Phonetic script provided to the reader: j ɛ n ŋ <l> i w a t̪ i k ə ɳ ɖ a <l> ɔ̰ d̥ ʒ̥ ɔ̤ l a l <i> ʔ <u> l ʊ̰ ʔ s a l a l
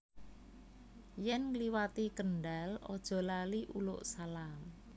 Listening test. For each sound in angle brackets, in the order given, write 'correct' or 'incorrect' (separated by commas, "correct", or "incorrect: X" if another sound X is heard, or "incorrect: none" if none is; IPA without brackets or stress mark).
correct, correct, correct, correct